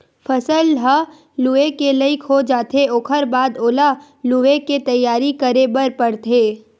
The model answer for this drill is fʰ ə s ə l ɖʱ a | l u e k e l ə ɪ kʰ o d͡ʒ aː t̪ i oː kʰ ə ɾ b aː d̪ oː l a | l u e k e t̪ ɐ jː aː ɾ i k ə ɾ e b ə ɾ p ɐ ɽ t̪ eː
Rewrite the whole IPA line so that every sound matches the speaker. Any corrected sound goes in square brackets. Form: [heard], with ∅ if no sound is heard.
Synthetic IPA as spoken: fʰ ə s ə l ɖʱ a | l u e k e l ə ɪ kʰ o d͡ʒ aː t̪ [e] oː kʰ ə ɾ b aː d̪ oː l a | l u e k e t̪ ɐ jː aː ɾ i k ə ɾ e b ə ɾ p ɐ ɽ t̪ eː